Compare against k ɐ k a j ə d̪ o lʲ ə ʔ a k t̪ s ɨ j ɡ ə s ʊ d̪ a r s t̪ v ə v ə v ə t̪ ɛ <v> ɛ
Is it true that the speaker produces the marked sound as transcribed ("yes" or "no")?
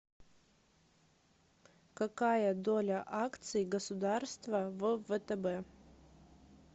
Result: no